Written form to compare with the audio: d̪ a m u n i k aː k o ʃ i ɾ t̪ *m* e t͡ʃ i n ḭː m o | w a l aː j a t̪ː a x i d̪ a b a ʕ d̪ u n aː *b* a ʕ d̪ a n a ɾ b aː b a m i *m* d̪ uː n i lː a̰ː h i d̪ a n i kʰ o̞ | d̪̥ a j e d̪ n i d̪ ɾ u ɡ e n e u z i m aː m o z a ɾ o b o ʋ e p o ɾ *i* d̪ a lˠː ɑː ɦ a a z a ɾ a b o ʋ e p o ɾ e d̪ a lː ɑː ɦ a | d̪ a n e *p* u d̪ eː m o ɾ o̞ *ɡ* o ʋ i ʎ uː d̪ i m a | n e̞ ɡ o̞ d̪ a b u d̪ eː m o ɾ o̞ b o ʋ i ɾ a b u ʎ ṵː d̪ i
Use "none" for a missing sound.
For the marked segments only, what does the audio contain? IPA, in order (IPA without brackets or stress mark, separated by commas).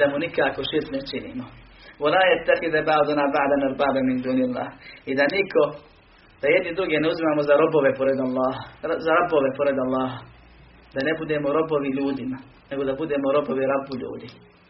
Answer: n, b, n, e, b, b